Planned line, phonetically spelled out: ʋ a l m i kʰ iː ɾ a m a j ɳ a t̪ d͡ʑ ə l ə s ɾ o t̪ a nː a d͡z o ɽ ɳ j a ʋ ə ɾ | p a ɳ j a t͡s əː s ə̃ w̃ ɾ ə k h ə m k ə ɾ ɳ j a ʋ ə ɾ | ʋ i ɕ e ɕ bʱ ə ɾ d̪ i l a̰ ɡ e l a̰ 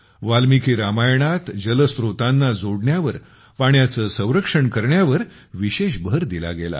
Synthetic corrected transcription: ʋ a l m i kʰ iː ɾ a m a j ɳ a t̪ d͡ʑ ə l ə s ɾ o t̪ a nː a d͡z o ɽ ɳ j a ʋ ə ɾ | p a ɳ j a t͡s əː s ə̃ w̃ ɾ ə k ʂ ə ɳ k ə ɾ ɳ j a ʋ ə ɾ | ʋ i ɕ e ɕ bʱ ə ɾ d̪ i l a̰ ɡ e l a̰